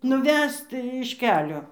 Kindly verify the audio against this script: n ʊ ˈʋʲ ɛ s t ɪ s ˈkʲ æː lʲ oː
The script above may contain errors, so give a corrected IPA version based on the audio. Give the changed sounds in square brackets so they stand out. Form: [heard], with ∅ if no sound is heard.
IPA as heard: n ʊ ˈʋʲ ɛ s t ɪ [ʃ] ˈkʲ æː lʲ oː